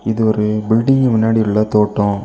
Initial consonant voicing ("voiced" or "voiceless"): voiced